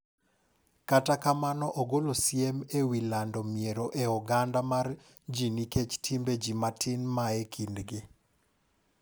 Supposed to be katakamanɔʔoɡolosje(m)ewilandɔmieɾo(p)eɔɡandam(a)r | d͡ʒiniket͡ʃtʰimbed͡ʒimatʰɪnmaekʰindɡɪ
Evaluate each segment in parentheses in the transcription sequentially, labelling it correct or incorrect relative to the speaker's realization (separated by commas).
correct, incorrect, correct